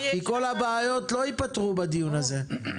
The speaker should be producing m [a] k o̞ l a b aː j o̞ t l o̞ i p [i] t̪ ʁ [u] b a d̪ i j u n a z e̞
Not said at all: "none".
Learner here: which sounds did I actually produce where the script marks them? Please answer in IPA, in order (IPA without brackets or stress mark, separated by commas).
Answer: i, a, u